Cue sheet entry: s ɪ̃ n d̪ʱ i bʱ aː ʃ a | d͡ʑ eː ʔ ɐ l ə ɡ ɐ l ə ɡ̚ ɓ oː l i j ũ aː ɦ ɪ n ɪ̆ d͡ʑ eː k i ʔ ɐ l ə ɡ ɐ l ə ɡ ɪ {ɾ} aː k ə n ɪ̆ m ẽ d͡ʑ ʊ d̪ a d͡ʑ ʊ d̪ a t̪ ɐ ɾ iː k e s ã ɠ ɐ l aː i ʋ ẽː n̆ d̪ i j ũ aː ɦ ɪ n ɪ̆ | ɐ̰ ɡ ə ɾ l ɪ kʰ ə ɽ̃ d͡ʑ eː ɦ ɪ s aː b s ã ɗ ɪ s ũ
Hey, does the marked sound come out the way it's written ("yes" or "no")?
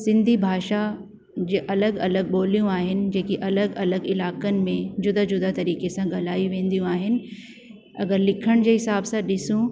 no